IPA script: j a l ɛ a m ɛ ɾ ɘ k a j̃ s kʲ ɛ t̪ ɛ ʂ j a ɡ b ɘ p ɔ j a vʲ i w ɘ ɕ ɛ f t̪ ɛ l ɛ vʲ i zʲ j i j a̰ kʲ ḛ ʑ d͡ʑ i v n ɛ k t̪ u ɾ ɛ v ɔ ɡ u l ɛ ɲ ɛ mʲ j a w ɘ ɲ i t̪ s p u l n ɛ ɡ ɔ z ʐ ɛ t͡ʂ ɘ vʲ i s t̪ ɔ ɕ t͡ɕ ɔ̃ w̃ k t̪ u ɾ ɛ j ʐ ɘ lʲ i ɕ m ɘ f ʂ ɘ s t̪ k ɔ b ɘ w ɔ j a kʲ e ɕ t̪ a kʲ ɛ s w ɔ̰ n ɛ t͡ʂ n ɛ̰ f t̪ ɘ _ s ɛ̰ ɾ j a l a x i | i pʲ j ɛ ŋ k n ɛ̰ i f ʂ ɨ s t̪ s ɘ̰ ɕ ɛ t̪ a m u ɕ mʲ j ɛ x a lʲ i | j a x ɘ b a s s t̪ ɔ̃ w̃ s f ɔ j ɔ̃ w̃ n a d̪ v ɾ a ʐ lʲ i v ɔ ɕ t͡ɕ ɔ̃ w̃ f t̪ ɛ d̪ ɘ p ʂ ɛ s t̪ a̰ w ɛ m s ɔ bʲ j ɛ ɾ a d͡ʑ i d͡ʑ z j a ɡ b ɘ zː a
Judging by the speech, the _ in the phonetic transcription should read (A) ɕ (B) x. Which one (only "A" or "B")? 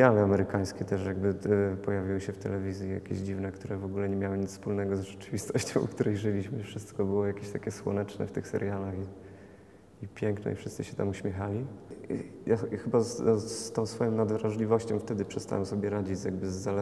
B